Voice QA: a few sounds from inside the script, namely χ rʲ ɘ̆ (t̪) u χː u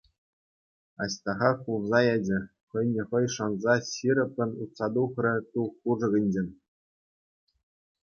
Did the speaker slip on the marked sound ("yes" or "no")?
no